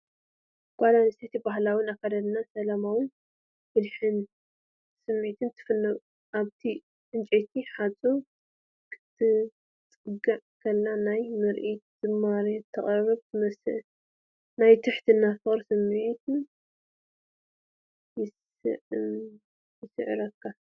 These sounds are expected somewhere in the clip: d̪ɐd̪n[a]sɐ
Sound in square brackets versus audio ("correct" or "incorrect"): correct